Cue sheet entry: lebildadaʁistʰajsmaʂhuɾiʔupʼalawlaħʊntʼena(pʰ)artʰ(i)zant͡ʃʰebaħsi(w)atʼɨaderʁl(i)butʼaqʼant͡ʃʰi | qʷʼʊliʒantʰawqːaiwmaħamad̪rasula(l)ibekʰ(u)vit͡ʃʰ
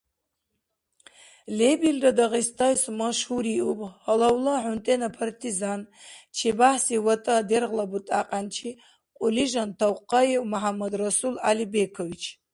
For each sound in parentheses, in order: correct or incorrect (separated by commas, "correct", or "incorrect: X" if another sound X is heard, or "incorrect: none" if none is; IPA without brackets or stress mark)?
correct, correct, correct, incorrect: a, correct, incorrect: o